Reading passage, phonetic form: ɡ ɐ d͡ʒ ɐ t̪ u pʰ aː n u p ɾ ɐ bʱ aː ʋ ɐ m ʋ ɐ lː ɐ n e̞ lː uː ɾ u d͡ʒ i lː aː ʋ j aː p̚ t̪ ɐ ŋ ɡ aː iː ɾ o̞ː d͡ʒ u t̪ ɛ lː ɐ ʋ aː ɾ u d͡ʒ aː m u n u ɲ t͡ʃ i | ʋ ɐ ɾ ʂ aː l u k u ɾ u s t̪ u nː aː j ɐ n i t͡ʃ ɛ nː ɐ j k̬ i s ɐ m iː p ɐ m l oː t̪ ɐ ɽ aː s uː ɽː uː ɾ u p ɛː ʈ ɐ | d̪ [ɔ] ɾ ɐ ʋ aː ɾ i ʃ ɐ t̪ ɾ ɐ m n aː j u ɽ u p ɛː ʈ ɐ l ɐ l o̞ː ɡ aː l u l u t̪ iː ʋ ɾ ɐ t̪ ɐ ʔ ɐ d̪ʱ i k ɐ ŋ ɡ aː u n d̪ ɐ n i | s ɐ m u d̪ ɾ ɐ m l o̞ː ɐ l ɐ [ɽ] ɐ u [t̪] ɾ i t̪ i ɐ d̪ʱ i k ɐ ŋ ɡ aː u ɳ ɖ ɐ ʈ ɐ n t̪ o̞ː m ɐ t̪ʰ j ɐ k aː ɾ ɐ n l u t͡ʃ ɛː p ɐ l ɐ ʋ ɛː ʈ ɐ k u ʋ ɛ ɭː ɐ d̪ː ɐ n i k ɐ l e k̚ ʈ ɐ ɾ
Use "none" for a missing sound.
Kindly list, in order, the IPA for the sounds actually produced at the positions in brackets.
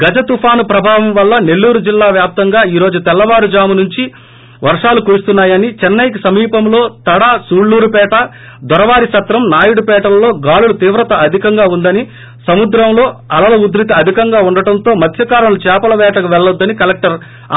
ɔ, l, d̪

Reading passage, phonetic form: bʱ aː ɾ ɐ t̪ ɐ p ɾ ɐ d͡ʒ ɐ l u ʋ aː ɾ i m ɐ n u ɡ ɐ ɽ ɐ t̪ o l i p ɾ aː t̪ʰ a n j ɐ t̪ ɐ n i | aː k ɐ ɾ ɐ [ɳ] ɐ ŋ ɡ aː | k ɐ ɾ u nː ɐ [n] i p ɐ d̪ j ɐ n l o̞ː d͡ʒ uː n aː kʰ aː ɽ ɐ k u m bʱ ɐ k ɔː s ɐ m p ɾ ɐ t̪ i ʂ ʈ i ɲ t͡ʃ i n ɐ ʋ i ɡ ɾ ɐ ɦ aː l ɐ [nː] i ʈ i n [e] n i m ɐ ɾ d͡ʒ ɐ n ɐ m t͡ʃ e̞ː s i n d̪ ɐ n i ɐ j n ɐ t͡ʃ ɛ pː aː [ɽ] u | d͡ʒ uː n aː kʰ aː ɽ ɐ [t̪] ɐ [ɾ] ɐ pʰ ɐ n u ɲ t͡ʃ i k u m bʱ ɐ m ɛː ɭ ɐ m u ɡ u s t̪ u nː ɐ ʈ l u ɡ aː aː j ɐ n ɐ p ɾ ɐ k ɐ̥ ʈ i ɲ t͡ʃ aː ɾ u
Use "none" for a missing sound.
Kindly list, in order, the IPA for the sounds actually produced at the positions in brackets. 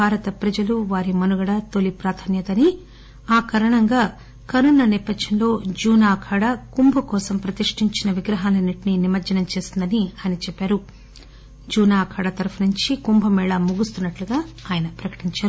ɳ, n, n, i, ɾ, t̪, ɾ

